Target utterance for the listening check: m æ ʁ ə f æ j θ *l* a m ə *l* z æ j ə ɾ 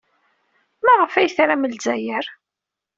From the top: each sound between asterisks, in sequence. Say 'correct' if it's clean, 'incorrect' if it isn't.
incorrect: ɾ, correct

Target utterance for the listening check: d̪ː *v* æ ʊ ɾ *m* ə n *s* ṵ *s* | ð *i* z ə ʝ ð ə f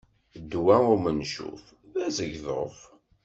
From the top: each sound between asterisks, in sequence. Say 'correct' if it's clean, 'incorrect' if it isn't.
incorrect: w, correct, incorrect: ʃ, incorrect: f, incorrect: æ

